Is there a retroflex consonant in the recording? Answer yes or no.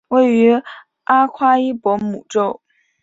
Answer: yes